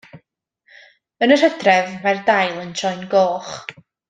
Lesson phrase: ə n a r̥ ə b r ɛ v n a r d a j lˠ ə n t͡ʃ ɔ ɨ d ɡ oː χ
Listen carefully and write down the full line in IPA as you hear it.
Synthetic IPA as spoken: ə n ə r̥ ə d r ɛ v m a r d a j lˠ ə n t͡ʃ ɔ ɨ n ɡ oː χ